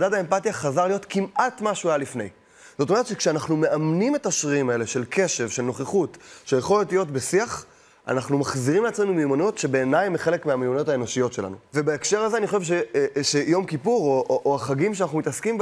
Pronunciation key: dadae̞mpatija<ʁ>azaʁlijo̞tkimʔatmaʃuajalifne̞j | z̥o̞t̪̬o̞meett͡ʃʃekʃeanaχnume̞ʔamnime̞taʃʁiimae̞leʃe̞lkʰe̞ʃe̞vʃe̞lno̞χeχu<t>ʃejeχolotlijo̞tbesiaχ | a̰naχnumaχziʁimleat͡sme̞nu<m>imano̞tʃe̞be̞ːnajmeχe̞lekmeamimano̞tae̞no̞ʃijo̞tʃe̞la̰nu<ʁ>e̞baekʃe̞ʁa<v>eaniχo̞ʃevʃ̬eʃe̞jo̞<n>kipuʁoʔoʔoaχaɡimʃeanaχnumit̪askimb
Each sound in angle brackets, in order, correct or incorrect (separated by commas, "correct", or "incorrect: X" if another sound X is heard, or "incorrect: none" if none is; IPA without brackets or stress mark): incorrect: χ, correct, correct, incorrect: v, incorrect: z, incorrect: m